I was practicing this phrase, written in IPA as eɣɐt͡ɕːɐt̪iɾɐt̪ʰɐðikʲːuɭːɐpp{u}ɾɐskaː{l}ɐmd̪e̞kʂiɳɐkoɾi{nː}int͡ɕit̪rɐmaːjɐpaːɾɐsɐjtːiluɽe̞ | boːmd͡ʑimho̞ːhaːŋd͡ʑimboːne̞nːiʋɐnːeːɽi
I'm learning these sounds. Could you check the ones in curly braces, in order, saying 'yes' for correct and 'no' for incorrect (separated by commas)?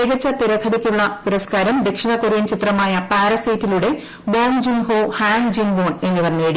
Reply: yes, no, no